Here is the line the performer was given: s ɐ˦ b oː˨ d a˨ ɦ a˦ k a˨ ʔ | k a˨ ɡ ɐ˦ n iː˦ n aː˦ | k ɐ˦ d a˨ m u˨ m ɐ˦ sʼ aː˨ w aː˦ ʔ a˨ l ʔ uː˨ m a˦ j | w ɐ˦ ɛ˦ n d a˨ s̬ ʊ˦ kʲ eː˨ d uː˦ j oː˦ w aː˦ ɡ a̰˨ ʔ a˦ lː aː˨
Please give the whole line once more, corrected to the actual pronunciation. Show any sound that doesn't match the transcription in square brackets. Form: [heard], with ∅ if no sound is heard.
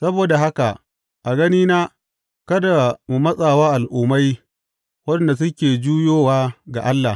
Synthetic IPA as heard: s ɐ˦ b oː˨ d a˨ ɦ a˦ k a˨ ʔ | [ʔ] a˨ ɡ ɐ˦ n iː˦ n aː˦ | k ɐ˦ d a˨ m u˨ m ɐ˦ sʼ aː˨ w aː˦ ʔ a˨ l ʔ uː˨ m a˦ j | w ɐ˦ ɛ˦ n d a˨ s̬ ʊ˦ kʲ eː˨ [d͡ʒ] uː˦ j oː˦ w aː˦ ɡ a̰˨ ʔ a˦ lː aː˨